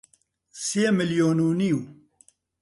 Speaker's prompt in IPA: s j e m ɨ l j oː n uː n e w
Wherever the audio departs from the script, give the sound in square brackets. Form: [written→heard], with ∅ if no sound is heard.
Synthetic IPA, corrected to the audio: s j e m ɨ l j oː n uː n [e→i] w